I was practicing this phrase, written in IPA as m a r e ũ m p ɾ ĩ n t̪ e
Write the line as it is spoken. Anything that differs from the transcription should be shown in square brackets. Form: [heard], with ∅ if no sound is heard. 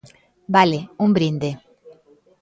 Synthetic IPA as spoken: [b] a [l] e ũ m [b] ɾ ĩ n [d̪] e